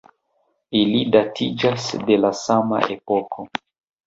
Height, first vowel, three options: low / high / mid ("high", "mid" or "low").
high